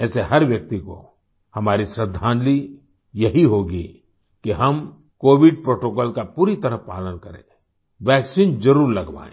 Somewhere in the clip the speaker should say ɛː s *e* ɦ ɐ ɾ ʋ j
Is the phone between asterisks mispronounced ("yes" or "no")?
no